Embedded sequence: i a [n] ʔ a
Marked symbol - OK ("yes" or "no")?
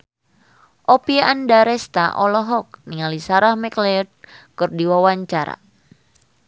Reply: no